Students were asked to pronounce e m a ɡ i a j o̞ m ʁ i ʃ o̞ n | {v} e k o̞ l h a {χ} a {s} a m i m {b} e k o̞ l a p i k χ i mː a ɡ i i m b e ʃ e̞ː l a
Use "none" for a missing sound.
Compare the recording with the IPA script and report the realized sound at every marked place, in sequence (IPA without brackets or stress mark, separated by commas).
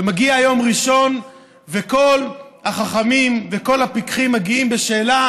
v, χ, χ, v